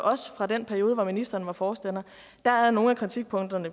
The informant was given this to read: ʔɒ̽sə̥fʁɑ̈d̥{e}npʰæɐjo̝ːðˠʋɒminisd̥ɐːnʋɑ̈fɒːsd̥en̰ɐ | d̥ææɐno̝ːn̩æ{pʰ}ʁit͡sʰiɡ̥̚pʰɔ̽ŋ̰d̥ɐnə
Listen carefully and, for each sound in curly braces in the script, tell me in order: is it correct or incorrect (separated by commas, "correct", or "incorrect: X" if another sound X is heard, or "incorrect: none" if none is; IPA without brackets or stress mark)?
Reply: correct, incorrect: kʰ